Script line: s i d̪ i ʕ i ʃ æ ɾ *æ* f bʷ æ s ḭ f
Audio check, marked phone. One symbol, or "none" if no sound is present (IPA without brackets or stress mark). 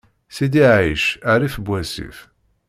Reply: i